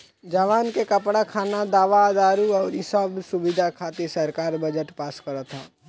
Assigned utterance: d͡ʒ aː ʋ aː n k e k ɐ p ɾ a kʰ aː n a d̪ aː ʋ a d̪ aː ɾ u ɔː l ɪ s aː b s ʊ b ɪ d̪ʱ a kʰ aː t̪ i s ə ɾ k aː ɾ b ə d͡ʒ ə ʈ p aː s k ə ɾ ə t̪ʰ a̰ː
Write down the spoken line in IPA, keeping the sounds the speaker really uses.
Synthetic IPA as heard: d͡ʒ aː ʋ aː n k e k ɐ p ɽ a kʰ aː n a d̪ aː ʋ a d̪ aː ɾ u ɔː ɾ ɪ s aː b s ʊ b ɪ d̪ʱ a kʰ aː t̪ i s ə ɾ k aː ɾ b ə d͡ʒ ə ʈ p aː s k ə ɾ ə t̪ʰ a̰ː